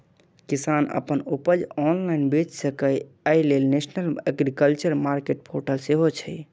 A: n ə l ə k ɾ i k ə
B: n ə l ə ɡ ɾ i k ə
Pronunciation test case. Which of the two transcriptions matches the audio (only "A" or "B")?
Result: B